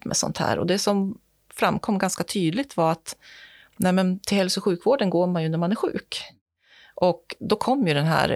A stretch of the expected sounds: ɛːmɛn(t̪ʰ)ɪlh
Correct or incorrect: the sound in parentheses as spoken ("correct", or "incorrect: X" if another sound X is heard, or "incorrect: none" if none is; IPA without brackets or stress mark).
correct